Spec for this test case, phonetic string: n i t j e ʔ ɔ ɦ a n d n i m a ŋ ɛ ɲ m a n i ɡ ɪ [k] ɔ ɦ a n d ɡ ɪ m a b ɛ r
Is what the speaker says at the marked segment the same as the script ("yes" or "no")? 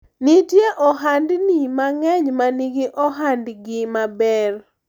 no